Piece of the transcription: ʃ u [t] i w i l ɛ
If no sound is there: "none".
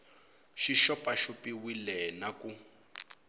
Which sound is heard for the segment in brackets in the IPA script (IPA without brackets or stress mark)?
p